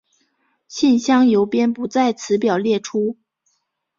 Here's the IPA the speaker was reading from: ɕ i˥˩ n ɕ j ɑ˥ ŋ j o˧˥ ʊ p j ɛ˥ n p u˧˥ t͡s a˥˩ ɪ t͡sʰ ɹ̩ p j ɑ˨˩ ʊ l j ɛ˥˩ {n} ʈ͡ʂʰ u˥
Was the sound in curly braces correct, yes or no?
no